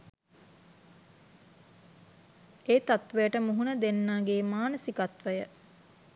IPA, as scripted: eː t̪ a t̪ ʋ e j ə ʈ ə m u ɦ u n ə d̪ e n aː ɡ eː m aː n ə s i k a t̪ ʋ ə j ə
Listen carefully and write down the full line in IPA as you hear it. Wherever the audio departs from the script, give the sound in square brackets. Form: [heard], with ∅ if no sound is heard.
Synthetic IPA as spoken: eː t̪ a t̪ ʋ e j ə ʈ ə m u ɦ u n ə d̪ e [nː] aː ɡ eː m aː n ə s i k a t̪ ʋ ə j ə

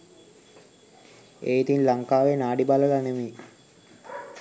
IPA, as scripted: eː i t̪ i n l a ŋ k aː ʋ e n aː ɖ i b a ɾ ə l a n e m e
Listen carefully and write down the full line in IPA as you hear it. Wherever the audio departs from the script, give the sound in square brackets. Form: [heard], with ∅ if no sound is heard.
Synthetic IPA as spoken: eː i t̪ i n l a ŋ k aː ʋ e n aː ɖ i b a [l] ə l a n e m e

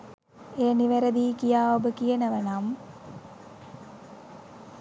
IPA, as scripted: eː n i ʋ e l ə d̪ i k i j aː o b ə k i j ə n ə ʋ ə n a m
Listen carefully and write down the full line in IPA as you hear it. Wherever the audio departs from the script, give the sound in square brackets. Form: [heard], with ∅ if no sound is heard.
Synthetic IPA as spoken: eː n i ʋ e [ɾ] ə d̪ [iː] k i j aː o b ə k i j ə n ə ʋ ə n a m

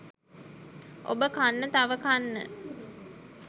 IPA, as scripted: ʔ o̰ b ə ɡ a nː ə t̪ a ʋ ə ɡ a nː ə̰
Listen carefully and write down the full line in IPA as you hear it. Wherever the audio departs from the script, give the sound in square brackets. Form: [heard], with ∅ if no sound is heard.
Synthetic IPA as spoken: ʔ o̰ b ə [k] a nː ə t̪ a ʋ ə [k] a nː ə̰

